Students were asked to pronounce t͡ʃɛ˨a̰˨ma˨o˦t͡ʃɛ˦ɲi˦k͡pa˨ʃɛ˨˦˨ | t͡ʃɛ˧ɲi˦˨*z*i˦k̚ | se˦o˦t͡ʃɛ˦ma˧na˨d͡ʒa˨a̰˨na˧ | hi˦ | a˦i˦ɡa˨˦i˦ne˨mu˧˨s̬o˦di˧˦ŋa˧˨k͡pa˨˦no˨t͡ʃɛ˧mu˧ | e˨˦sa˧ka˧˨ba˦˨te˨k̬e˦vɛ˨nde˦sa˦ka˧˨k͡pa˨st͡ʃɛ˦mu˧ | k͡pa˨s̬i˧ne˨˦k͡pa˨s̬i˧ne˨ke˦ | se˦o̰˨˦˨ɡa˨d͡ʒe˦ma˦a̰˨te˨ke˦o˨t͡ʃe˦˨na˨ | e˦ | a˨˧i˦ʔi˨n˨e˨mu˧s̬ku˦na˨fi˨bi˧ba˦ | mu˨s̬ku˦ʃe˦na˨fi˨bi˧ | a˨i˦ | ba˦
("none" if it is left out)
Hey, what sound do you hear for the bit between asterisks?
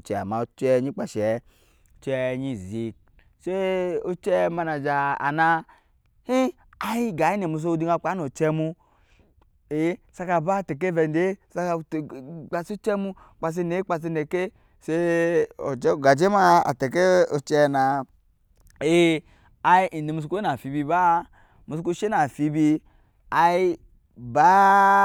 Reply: z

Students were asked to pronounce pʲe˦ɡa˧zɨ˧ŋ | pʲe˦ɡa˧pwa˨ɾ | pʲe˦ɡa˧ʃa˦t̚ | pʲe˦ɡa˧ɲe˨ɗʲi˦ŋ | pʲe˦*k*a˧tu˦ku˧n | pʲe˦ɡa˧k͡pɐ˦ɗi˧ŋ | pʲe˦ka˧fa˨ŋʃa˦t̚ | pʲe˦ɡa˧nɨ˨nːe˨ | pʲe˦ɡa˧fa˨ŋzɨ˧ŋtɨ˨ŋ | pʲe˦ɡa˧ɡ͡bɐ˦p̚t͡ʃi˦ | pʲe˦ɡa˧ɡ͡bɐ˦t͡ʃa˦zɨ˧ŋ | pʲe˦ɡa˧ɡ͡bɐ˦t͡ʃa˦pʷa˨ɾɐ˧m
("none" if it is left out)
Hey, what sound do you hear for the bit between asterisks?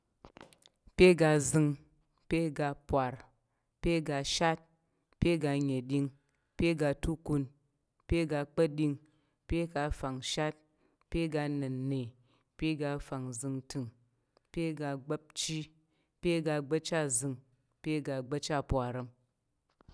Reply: ɡ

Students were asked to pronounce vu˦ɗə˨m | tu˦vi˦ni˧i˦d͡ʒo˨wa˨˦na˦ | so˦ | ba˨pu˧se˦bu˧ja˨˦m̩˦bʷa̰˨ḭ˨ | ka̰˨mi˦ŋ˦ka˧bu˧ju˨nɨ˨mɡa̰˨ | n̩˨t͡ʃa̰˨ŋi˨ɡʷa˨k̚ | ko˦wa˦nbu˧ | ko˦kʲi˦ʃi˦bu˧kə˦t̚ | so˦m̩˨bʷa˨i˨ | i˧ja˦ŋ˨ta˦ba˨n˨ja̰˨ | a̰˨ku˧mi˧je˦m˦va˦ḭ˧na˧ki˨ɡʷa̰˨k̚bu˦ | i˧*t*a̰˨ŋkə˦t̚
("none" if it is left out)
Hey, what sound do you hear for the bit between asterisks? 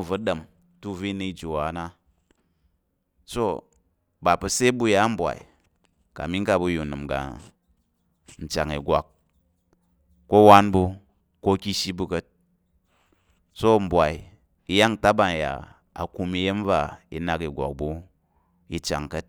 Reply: t͡ʃ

